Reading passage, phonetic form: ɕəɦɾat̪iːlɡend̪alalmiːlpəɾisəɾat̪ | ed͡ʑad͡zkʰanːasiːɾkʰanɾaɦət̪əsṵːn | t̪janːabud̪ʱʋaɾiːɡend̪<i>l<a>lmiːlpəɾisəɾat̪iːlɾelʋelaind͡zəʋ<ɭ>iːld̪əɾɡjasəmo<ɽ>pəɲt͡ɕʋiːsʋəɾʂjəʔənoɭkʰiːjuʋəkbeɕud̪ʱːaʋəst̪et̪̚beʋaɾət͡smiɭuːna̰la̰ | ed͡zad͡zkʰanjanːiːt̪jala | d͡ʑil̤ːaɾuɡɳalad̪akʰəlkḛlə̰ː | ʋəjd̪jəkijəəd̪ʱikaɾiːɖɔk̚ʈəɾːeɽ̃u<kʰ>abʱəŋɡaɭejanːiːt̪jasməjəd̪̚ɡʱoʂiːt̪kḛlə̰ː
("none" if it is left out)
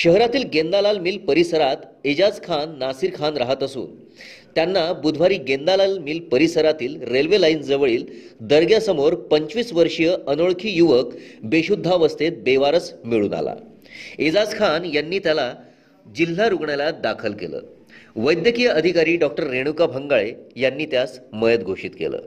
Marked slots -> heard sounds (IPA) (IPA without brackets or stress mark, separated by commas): a, a, ɭ, ɾ, k